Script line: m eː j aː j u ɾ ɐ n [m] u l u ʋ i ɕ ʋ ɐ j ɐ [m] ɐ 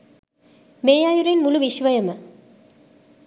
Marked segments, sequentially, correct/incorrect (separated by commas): correct, correct